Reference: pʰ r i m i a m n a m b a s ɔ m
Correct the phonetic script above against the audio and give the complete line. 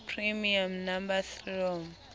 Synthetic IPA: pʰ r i m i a m n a m b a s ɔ m